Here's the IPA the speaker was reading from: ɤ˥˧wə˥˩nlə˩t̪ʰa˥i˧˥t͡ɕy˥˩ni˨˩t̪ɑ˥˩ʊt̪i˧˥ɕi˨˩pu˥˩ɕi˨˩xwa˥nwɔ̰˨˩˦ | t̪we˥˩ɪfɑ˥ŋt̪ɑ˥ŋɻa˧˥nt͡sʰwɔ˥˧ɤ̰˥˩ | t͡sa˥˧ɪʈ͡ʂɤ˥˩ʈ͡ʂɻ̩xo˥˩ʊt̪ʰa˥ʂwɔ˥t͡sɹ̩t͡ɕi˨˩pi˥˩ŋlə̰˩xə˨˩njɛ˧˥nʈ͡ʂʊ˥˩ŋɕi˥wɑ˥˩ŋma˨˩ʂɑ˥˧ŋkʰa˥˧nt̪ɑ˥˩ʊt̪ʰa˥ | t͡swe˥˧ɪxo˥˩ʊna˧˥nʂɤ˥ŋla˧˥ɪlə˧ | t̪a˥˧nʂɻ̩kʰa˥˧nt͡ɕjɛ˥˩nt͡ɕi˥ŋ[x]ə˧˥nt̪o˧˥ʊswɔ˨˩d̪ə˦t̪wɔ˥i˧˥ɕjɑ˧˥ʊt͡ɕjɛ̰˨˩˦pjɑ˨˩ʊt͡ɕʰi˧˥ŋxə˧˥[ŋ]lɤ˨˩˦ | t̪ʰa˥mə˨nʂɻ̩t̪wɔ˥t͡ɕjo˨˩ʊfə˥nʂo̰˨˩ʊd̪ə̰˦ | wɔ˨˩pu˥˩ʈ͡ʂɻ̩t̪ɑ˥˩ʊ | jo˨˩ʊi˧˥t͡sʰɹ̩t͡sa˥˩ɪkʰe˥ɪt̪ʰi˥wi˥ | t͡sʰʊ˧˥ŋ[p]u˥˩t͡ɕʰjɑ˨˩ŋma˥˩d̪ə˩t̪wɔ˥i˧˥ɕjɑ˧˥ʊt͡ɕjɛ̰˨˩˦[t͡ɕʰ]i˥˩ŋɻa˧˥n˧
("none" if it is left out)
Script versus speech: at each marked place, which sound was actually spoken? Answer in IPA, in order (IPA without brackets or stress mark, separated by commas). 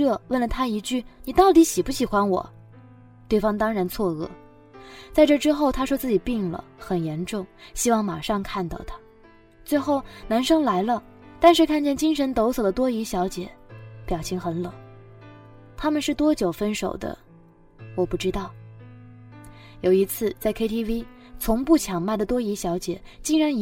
ʂ, n, p, t͡ɕ